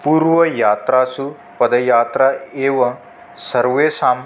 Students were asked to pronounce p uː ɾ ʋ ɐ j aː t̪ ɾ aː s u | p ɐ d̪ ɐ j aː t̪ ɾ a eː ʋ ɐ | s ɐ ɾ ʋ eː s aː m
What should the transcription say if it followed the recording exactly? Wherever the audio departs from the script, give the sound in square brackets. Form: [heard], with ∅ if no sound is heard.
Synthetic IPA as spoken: p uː ɾ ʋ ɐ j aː t̪ ɾ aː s u | p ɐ d̪ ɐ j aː t̪ ɾ a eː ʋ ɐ | s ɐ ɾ ʋ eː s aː m